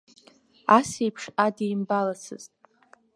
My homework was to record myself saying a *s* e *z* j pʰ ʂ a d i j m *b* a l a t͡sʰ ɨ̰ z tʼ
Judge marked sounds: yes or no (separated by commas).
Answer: yes, no, yes